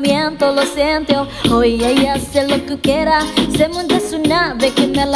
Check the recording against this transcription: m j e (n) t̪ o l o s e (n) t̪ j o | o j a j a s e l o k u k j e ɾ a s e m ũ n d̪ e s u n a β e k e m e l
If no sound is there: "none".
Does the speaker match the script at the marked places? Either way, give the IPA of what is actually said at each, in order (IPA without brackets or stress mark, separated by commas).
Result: n, n